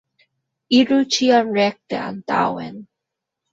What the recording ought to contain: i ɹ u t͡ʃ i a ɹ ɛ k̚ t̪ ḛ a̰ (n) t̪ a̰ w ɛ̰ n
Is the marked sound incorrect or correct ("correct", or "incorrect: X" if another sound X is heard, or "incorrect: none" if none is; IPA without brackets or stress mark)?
correct